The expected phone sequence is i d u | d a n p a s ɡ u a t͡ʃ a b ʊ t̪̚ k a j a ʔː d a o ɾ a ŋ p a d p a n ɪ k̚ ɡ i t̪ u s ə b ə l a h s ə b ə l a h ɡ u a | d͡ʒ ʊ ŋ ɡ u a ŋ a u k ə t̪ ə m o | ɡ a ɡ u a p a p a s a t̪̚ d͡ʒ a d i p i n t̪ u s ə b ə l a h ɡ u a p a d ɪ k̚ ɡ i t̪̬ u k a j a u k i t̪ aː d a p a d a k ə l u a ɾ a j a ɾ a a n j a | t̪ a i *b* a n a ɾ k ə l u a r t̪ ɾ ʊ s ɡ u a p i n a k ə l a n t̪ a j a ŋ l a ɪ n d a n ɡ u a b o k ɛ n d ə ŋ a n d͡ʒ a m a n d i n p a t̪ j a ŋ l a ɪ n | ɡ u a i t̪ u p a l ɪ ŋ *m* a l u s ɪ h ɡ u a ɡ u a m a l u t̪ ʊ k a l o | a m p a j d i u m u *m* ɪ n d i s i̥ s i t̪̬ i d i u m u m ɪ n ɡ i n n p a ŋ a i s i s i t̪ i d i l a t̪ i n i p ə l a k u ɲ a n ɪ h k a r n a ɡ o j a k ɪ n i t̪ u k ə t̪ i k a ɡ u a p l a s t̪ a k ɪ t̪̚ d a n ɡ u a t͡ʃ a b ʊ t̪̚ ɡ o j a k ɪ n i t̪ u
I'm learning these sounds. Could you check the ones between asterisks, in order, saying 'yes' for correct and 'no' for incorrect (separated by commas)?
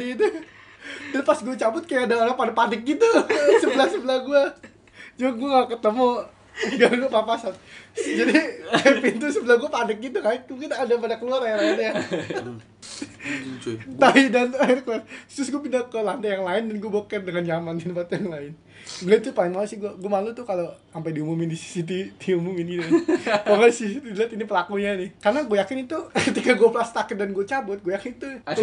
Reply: no, yes, yes